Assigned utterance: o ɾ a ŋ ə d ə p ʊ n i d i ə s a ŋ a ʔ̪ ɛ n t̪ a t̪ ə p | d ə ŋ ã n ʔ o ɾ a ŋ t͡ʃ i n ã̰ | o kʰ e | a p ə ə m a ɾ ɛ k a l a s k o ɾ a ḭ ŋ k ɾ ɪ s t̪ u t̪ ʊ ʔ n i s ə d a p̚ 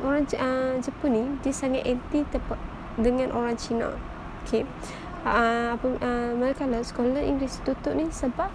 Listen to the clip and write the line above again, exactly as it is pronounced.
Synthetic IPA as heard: o ɾ a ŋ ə d͡ʒ ə p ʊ n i d i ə s a ŋ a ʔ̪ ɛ n t̪ i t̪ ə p | d ə ŋ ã n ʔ o ɾ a ŋ t͡ʃ i n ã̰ | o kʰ e | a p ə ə m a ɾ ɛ k a l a s k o l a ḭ ŋ ɡ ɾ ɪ s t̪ u t̪ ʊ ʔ n i s ə b a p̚